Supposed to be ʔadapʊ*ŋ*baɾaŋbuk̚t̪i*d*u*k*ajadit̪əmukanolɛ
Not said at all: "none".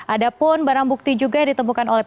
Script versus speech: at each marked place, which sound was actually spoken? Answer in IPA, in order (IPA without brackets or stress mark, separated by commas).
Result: n, d͡ʒ, ɡ